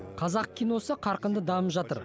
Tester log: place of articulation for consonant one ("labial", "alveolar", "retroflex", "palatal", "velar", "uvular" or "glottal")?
uvular